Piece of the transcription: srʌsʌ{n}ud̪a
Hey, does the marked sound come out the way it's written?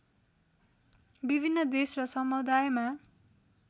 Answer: no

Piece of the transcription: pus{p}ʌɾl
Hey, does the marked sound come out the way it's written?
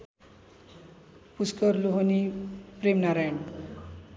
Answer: no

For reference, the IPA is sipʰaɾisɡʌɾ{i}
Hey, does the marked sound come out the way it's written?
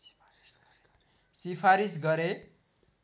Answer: no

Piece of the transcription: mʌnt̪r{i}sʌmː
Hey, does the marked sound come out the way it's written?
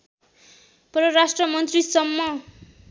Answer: yes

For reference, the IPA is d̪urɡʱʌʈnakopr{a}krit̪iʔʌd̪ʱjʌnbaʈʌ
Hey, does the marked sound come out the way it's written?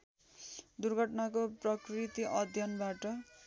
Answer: no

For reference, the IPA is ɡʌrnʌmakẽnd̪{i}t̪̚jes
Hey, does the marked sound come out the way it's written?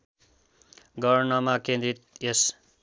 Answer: yes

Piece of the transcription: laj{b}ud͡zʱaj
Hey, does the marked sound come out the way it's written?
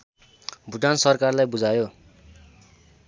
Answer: yes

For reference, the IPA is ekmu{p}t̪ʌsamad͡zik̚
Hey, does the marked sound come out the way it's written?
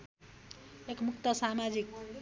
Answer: no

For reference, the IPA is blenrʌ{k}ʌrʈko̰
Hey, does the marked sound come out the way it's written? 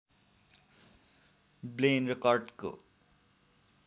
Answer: yes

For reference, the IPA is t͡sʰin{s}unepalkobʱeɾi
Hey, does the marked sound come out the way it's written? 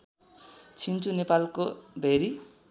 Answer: no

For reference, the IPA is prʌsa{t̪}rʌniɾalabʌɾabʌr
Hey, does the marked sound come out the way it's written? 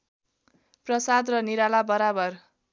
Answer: no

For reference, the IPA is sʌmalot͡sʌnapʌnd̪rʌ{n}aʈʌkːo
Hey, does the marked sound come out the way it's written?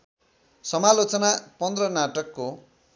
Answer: yes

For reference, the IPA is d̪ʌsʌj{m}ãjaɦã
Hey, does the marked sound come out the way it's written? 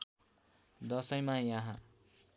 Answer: yes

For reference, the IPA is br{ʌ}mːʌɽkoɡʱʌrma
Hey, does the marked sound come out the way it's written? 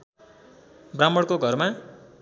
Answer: no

